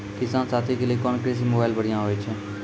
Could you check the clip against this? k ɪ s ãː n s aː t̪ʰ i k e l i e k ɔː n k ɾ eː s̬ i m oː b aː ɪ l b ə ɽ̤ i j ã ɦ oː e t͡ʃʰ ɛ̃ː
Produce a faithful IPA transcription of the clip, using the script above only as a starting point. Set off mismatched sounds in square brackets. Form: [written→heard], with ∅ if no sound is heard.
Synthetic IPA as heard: k ɪ s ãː n s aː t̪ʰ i k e l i e k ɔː n k ɾ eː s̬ i m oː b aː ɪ l b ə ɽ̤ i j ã ɦ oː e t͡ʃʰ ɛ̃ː